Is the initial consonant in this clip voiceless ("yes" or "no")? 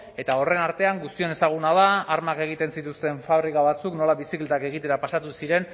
yes